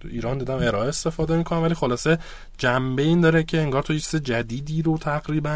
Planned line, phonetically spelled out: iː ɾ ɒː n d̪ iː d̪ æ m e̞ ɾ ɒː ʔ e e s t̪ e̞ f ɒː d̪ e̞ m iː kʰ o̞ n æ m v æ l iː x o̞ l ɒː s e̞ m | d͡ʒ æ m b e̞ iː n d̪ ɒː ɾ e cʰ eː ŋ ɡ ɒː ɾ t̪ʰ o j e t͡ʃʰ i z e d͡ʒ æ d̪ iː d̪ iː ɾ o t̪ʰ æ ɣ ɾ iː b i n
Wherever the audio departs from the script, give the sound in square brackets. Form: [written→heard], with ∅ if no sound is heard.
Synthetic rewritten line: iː ɾ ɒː n d̪ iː d̪ æ m e̞ ɾ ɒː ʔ e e s t̪ e̞ f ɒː d̪ e̞ m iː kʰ o̞ n æ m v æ l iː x o̞ l ɒː s e̞ [m→∅] | d͡ʒ æ m b e̞ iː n d̪ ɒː ɾ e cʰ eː ŋ ɡ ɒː ɾ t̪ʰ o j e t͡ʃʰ i z e d͡ʒ æ d̪ iː d̪ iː ɾ o t̪ʰ æ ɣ ɾ iː b [i→æ] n